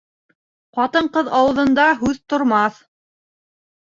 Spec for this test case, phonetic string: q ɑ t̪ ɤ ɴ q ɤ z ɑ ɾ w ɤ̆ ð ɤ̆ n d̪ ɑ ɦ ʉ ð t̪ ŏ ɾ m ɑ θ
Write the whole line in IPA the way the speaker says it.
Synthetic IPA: q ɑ t̪ ɤ ɴ q ɤ ð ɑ w ɤ̆ ð ɤ̆ n d̪ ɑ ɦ ʉ ð t̪ ŏ ɾ m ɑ θ